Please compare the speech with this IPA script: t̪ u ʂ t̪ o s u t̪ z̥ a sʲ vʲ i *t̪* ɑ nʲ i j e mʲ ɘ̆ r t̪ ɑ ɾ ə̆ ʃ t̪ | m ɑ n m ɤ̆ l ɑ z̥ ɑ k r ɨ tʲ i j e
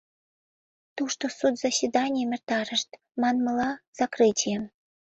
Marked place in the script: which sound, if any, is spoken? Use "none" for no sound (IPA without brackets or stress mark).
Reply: d̪